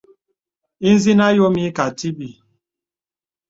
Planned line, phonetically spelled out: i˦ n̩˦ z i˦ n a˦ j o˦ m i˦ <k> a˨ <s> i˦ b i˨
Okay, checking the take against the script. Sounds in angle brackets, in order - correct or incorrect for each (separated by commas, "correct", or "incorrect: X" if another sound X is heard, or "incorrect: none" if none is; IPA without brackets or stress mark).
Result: correct, incorrect: t